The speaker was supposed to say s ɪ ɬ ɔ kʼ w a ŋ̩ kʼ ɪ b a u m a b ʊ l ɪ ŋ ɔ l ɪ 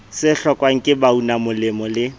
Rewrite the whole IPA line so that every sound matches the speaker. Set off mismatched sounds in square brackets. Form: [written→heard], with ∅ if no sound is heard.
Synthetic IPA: s ɪ ɬ ɔ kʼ w a ŋ̩ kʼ ɪ b a u [m→n] a [b→m] ʊ l ɪ [ŋ→m] ɔ l ɪ